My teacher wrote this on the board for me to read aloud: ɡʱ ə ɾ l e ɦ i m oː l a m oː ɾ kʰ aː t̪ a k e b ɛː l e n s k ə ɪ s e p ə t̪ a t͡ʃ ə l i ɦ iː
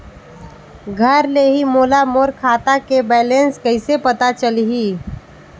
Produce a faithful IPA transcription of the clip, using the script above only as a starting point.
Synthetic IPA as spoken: ɡʱ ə ɾ l e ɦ i m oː l a m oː ɾ kʰ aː t̪ a k e b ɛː l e n s k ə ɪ s e p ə t̪ a t͡ʃ ə l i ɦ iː